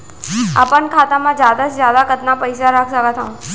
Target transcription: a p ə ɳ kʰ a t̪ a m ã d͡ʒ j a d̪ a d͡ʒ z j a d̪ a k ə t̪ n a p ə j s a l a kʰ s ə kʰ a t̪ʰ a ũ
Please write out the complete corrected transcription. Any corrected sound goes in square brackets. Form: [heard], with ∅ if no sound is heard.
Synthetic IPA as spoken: a p ə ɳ kʰ a t̪ a m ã d͡ʒ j a d̪ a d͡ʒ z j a d̪ a k ə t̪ n a p ə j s a [ɾ] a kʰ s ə [k] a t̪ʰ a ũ